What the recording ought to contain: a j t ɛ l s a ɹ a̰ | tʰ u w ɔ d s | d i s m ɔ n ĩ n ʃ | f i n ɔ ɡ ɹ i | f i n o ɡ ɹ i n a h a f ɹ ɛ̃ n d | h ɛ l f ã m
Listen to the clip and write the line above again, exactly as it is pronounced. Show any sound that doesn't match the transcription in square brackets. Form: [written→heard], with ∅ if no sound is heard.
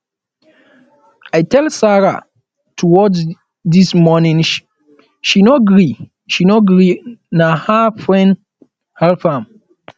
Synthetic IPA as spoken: a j t ɛ l s a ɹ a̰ | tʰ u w ɔ d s | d i s m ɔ n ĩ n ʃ | [f→ʃ] i n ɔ ɡ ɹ i | [f→ʃ] i n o ɡ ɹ i n a h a f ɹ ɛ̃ n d | h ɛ l f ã m